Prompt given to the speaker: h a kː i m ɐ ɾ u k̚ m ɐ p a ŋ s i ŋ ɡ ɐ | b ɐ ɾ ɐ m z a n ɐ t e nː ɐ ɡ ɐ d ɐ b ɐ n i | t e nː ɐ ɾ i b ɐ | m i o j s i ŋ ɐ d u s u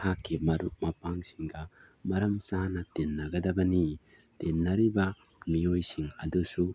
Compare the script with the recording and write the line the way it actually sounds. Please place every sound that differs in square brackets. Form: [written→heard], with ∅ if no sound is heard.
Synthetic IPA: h a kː i m ɐ ɾ u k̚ m ɐ p a ŋ s i ŋ ɡ ɐ | [b→m] ɐ ɾ ɐ m [z→s] a n ɐ t e nː ɐ ɡ ɐ d ɐ b ɐ n i | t e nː ɐ ɾ i b ɐ | m i o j s i ŋ ɐ d u s u